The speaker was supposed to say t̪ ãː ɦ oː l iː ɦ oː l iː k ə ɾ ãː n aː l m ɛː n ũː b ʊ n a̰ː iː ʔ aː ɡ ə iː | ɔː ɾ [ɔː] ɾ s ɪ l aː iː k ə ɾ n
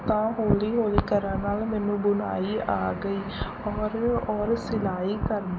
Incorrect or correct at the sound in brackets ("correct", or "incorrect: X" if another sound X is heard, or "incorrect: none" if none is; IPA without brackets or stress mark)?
correct